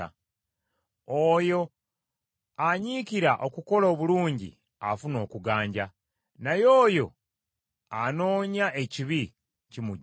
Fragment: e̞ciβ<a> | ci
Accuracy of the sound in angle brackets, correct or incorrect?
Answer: incorrect